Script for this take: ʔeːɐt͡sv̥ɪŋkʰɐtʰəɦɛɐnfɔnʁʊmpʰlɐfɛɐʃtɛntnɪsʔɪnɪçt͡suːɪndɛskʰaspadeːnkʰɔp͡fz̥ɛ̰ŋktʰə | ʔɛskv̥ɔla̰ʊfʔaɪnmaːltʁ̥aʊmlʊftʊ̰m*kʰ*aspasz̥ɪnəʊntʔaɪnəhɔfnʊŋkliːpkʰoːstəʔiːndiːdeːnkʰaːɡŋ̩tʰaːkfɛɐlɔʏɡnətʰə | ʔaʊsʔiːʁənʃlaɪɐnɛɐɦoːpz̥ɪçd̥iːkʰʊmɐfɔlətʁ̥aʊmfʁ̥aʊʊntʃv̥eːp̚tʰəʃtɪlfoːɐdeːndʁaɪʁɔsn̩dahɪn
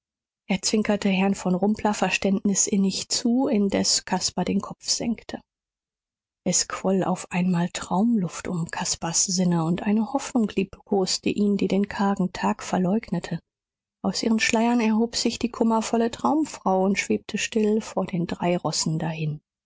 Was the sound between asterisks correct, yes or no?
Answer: yes